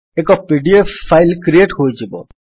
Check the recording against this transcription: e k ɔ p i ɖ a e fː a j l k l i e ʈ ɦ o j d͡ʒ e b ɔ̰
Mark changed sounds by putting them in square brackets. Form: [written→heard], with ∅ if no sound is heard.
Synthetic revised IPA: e k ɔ p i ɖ [a→i] e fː a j l k [l→ɾ] i e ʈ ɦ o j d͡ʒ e b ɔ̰

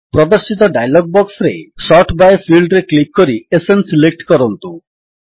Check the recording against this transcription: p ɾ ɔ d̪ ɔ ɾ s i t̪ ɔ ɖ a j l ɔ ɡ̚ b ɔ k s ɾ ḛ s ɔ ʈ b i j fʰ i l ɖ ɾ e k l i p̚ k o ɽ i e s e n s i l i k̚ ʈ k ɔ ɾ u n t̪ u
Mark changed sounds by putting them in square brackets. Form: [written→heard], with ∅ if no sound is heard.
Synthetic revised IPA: p ɾ ɔ d̪ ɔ ɾ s i t̪ ɔ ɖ a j l ɔ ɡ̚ b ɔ k s ɾ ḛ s ɔ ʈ b [i→a] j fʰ i l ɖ ɾ e k l i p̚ k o [ɽ→ɾ] i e s e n s i l [i→e] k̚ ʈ k ɔ ɾ [u→ɔ] n t̪ u

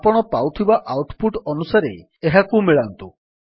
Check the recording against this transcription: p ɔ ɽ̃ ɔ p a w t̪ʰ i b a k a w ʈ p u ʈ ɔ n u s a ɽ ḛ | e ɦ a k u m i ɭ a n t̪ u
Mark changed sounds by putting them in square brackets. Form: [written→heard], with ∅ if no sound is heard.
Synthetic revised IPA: p ɔ ɽ̃ ɔ p a w t̪ʰ i b a [k→ʔ] a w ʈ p u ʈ ɔ n u s a [ɽ→ɾ] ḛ | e ɦ a k u m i ɭ a n t̪ u

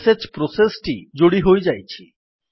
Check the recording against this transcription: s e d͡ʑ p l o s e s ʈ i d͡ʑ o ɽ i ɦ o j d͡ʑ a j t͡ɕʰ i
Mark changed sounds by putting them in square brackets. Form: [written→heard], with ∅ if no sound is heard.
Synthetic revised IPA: s e d͡ʑ p [l→ɾ] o s e s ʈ i d͡ʑ o ɽ i ɦ o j d͡ʑ a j t͡ɕʰ i

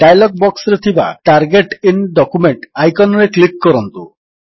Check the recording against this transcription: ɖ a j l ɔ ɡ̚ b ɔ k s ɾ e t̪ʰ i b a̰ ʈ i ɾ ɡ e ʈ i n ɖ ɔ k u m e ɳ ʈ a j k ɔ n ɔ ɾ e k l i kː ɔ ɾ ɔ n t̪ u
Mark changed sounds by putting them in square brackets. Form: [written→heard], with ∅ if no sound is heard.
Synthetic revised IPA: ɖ a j l ɔ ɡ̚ b ɔ k s ɾ e t̪ʰ i b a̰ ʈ [i→a] ɾ ɡ e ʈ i n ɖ ɔ k u m e ɳ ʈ a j k ɔ n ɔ ɾ e k l i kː ɔ ɾ ɔ n t̪ u

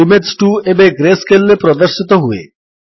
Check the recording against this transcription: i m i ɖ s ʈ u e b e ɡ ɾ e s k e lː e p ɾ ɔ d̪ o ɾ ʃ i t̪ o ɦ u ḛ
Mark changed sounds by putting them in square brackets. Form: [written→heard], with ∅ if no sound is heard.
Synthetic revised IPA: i m [i→e] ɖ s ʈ u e b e ɡ ɾ e s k e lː e p ɾ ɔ d̪ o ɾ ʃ i t̪ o ɦ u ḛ

